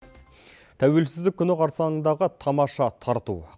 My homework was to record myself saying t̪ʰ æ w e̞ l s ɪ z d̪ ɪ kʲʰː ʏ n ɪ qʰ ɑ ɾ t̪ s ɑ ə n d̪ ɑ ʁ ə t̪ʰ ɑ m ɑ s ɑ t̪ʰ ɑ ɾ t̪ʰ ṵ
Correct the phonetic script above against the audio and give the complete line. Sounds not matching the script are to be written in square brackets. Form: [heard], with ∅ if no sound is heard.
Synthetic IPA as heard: t̪ʰ æ w e̞ l s ɪ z d̪ ɪ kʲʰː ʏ n ɪ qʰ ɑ ɾ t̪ s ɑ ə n d̪ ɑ ʁ ə t̪ʰ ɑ m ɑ [ʃ] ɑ t̪ʰ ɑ ɾ [t̪] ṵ